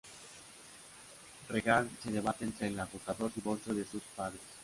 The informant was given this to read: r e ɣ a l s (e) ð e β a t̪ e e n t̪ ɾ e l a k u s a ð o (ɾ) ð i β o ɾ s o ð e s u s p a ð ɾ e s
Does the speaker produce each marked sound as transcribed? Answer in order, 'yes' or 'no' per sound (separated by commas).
yes, yes